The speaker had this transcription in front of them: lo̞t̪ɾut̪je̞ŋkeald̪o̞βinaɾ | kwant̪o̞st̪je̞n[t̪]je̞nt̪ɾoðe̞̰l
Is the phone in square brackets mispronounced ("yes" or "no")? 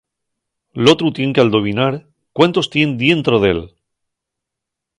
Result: yes